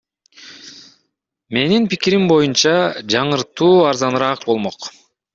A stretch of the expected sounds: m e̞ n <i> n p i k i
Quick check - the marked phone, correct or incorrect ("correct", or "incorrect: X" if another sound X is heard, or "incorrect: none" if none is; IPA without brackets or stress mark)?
correct